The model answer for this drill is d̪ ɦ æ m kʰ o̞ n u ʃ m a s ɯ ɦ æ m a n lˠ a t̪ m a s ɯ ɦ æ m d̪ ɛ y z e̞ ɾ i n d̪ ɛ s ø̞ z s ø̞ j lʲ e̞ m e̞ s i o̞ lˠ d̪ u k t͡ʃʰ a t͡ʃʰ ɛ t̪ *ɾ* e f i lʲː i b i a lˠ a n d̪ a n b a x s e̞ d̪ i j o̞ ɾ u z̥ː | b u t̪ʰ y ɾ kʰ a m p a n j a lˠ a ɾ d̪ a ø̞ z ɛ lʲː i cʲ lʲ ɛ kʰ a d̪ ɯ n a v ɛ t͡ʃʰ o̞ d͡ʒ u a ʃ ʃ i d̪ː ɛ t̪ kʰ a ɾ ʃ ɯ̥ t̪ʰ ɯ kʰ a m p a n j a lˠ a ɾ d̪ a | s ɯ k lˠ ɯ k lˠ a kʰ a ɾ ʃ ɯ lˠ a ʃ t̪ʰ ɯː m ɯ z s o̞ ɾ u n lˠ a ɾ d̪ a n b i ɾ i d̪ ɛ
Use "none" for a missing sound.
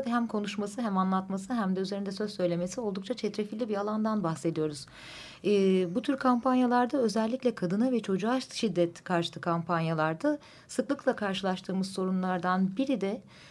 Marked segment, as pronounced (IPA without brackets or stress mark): ɾ